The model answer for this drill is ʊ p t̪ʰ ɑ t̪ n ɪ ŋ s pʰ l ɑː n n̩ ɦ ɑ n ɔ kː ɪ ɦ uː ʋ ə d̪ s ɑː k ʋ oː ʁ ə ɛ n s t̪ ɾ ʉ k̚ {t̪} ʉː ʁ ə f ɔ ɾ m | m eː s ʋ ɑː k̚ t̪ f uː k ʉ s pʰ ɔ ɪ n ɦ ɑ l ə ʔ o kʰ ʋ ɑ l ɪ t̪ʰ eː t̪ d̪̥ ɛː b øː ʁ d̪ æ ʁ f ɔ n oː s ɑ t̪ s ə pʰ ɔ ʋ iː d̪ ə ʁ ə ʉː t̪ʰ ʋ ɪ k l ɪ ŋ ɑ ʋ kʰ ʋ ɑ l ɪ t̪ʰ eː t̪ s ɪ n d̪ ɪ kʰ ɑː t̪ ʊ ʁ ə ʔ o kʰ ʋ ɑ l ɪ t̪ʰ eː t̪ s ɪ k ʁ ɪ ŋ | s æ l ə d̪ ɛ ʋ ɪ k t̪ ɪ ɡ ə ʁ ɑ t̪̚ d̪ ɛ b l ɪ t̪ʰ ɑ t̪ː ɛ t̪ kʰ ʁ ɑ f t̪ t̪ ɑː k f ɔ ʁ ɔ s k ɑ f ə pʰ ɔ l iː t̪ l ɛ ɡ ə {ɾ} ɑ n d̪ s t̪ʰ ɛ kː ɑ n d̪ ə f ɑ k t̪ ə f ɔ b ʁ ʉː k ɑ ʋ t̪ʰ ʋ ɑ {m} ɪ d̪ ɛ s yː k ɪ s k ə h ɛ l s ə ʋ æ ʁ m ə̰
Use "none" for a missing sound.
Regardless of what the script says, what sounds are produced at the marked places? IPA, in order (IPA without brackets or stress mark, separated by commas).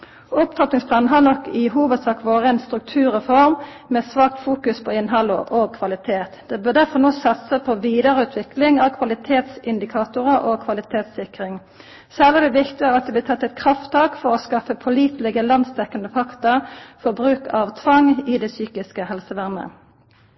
t̪ʰ, l, ŋ